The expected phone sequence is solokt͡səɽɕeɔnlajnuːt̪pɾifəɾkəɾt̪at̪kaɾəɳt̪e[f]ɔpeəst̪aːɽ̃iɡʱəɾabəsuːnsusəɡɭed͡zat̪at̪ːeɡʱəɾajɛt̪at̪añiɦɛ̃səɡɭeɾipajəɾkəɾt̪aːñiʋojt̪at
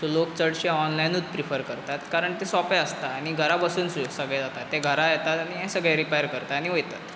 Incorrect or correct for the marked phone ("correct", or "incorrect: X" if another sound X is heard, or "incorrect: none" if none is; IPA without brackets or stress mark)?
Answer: incorrect: s